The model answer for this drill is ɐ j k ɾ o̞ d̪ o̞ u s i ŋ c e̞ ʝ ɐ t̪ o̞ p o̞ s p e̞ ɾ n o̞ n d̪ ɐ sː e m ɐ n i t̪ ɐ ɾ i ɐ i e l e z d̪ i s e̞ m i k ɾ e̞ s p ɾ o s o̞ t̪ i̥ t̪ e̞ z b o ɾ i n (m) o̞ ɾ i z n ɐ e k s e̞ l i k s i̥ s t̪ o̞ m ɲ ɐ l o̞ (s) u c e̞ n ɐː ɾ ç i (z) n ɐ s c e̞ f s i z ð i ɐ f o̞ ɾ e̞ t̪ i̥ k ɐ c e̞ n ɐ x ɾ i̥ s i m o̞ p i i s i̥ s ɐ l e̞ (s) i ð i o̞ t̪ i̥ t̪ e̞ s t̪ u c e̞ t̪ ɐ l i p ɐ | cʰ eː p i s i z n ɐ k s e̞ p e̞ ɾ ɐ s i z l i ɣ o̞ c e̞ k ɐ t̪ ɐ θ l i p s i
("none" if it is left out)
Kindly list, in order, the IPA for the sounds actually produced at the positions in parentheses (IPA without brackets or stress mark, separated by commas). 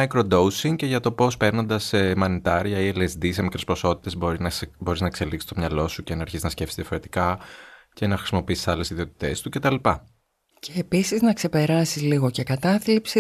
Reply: b, s, z, s